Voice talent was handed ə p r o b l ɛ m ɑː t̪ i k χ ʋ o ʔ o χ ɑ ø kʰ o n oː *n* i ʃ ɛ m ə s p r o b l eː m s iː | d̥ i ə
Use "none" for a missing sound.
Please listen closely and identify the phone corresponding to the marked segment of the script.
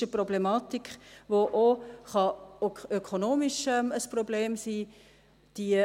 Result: m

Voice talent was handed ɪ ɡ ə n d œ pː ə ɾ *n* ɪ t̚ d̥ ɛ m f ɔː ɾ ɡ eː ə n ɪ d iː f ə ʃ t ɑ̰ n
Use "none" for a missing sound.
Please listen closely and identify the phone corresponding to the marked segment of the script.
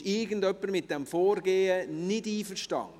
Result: m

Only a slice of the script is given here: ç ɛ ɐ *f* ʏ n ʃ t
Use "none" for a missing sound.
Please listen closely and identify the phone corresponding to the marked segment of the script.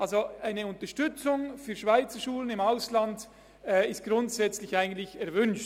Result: v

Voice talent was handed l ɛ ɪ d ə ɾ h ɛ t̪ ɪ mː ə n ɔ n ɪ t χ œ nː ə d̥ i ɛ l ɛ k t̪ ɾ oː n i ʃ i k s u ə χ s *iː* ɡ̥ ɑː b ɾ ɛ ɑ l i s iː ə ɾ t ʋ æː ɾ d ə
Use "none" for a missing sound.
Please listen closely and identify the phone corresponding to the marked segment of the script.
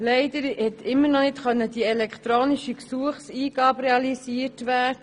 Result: iː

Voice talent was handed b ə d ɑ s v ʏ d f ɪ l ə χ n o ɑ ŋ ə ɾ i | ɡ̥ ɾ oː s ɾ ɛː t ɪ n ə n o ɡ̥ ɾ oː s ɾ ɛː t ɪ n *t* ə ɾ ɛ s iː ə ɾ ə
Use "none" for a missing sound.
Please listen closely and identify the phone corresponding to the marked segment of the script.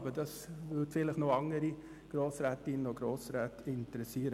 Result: t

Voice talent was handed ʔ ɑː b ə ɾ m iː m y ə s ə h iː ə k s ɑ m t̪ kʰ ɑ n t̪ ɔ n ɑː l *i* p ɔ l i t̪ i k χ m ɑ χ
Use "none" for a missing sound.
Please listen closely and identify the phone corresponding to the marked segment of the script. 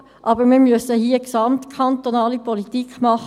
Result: i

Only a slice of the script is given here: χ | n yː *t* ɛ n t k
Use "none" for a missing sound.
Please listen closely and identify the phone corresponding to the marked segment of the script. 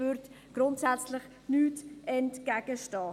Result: t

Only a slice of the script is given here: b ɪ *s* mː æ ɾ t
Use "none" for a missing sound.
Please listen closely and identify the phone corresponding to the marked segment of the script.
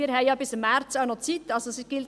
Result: s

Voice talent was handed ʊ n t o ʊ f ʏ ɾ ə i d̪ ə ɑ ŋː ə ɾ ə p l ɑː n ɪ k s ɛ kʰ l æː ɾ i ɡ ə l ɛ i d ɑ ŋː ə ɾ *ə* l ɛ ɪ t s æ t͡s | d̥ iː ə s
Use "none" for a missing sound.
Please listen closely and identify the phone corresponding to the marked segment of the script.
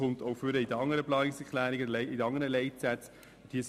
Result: ə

